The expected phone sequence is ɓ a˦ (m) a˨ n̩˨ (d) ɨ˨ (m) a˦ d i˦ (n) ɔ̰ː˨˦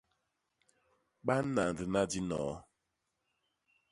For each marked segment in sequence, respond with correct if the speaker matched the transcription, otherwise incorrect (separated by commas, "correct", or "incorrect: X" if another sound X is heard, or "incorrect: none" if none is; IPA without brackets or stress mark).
incorrect: n, correct, incorrect: n, correct